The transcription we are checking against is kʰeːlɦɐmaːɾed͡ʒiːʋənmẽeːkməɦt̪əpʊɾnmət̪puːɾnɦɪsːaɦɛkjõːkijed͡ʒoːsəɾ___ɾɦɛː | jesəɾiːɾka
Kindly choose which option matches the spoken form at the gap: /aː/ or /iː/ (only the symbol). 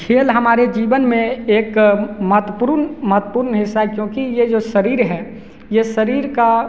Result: iː